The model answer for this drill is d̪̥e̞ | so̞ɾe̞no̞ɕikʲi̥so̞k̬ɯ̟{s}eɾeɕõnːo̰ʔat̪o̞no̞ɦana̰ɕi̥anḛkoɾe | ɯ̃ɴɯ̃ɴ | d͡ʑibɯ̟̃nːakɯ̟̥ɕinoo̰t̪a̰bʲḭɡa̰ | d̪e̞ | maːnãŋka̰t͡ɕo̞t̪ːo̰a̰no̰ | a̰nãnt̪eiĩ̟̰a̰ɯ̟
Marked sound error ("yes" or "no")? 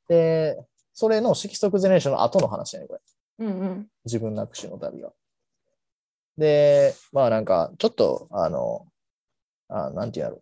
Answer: yes